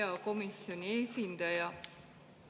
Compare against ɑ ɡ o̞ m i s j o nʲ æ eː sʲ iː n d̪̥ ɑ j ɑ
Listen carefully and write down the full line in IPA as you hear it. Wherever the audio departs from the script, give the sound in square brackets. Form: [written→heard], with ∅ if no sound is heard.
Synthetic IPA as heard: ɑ [ɡ→k] o̞ m i s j o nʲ [æ→i] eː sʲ [iː→i] n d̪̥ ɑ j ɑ